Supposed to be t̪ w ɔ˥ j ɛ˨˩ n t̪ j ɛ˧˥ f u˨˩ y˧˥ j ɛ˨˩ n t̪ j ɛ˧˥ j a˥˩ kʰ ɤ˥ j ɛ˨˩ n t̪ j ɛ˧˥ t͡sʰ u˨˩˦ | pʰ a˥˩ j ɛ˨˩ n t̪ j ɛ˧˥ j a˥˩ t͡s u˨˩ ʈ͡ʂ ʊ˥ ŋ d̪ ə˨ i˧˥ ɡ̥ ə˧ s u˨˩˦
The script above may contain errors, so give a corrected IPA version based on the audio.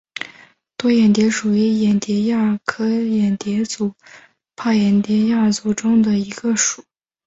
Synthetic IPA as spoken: t̪ w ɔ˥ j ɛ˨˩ n t̪ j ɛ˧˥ ʂ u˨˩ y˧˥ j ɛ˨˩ n t̪ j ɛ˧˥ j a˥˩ kʰ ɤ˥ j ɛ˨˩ n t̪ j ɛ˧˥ t͡s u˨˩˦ | pʰ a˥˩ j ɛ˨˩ n t̪ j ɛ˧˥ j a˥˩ t͡s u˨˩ ʈ͡ʂ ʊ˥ ŋ d̪ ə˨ i˧˥ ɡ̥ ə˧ ʂ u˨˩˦